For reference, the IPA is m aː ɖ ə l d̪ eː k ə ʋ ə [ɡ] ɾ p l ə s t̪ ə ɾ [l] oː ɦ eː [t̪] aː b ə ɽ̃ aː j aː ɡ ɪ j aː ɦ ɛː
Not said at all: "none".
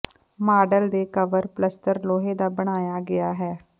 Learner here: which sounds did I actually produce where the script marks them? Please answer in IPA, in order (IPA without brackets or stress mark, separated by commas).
none, l, d̪